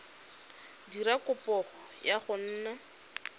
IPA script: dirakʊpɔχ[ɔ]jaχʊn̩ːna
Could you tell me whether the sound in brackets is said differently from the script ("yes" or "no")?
no